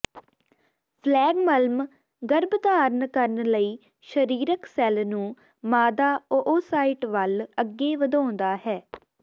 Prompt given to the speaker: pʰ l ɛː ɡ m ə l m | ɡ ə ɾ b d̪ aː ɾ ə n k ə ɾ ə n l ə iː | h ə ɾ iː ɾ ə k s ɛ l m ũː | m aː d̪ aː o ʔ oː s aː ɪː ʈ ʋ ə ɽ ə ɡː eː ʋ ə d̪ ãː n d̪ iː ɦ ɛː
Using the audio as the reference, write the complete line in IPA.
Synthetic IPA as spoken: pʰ l ɛː ɡ m ə l m | ɡ ə ɾ b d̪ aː ɾ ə n k ə ɾ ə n l ə iː | ʃ ə ɾ iː ɾ ə k s ɛ l n ũː | m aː d̪ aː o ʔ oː s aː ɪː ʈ ʋ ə l ə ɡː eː ʋ ə d̪ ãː n d̪ aː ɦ ɛː